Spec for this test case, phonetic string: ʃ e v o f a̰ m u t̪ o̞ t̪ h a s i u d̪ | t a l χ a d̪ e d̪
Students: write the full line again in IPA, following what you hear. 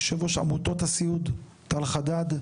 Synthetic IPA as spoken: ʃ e v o ʃ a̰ m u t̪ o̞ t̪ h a s i u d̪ | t a l χ a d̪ a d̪